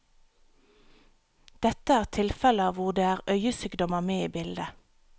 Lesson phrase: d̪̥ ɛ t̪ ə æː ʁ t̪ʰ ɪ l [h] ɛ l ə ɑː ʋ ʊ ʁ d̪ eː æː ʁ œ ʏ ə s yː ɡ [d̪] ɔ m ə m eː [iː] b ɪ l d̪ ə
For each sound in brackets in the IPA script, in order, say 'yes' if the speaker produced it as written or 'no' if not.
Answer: no, yes, yes

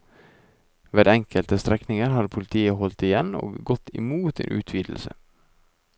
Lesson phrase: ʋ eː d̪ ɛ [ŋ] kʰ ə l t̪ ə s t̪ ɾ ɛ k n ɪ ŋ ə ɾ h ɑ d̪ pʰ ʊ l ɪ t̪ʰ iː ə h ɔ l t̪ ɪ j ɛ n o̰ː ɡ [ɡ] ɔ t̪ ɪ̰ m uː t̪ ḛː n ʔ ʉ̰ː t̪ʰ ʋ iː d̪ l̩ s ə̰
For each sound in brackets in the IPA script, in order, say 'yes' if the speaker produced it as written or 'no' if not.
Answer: yes, yes

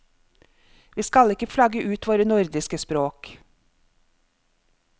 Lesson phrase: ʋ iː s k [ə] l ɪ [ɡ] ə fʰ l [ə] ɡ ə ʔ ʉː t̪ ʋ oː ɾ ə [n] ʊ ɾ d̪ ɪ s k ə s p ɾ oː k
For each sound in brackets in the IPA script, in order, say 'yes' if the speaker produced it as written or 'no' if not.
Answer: no, no, no, yes

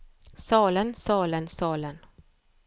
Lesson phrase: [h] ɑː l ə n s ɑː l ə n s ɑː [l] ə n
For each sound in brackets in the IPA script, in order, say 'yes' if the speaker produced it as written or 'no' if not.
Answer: no, yes

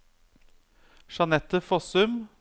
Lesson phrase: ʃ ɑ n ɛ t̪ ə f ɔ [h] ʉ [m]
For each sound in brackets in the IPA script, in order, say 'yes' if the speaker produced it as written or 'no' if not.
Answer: no, yes

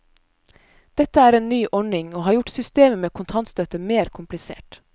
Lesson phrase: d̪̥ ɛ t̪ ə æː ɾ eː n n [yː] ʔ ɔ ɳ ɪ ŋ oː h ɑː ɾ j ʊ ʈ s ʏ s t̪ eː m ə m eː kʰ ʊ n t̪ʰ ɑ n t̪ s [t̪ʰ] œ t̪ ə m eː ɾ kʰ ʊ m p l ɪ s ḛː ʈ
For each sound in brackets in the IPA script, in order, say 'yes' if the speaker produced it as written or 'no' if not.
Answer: yes, no

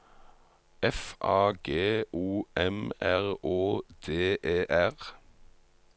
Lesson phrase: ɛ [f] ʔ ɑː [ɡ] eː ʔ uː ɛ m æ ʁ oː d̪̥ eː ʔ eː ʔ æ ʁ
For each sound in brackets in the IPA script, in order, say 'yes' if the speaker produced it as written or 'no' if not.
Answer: yes, yes

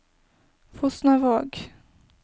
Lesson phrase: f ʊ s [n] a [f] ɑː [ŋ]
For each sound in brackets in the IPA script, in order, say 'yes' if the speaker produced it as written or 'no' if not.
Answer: yes, no, no

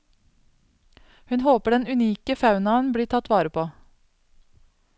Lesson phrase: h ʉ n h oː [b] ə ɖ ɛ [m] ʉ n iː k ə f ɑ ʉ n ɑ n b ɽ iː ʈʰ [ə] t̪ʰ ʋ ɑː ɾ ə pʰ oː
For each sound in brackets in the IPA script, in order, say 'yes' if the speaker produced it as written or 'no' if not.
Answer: no, no, no

